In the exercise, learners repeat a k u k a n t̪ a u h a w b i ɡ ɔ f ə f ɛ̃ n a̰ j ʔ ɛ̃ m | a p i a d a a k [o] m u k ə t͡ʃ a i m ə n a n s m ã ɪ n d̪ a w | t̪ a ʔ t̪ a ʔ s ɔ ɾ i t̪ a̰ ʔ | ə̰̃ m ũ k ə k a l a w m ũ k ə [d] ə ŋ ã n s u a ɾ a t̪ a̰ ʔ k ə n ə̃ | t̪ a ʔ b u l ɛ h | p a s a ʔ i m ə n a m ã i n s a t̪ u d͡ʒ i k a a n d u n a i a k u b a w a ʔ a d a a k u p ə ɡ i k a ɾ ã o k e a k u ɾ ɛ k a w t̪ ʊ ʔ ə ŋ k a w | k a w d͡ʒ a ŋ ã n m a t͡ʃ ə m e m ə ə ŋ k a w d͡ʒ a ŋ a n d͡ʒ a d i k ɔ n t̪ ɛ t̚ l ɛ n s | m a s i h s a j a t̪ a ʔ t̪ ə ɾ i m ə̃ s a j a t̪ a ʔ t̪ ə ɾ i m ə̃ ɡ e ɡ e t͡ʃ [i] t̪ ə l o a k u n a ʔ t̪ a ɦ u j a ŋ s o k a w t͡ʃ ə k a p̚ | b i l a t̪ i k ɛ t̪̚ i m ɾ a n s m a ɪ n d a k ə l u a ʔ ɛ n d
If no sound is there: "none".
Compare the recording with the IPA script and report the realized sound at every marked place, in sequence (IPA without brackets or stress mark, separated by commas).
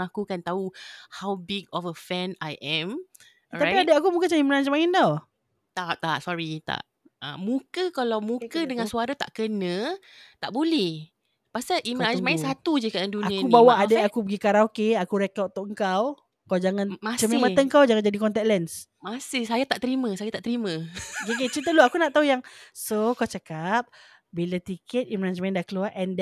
u, d, i